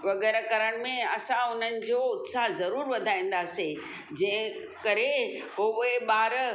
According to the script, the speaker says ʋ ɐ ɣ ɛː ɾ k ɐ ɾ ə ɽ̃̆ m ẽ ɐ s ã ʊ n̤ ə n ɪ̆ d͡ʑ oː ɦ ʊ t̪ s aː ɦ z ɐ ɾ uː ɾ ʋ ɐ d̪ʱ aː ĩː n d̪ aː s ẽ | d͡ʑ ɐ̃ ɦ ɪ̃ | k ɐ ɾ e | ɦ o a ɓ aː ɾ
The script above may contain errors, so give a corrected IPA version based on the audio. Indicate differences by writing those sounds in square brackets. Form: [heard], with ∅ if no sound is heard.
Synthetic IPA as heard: ʋ ɐ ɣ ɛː ɾ k ɐ ɾ ə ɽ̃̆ m ẽ ɐ s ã ʊ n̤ ə n ɪ̆ d͡ʑ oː [∅] ʊ t̪ s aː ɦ z ɐ ɾ uː ɾ ʋ ɐ d̪ʱ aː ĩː n d̪ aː s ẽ | d͡ʑ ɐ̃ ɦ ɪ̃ | k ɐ ɾ e | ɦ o [e] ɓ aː ɾ